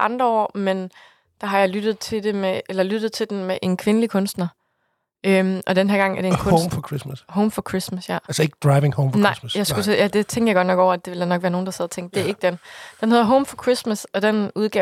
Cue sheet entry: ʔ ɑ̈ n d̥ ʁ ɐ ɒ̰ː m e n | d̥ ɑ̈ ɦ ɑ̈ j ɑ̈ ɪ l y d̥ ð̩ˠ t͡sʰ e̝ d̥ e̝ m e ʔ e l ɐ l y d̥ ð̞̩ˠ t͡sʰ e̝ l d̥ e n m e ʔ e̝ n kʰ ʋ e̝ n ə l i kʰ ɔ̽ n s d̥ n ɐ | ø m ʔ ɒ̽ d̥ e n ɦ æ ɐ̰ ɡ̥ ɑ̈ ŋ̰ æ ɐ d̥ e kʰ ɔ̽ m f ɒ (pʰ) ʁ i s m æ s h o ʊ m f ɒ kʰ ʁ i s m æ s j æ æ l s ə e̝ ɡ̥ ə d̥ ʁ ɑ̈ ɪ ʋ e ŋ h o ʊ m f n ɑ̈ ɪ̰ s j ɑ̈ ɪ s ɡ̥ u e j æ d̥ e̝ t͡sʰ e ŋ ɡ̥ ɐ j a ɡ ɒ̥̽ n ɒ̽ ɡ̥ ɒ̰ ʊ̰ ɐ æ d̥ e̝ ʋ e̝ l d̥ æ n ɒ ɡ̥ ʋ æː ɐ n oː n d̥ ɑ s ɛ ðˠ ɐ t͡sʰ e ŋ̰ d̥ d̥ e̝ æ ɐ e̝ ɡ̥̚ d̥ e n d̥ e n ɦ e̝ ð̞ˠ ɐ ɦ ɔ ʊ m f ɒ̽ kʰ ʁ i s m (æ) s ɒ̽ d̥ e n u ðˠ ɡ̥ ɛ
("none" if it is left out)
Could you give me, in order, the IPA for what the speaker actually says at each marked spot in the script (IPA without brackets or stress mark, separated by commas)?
kʰ, æ